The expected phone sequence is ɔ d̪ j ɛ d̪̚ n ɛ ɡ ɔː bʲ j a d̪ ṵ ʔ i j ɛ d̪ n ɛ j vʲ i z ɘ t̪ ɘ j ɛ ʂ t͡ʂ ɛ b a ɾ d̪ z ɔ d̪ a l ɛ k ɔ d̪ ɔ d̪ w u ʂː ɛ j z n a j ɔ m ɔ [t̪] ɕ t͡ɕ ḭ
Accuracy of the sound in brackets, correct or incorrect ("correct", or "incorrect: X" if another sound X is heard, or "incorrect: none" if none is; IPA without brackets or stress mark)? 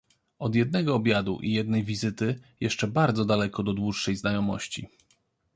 incorrect: none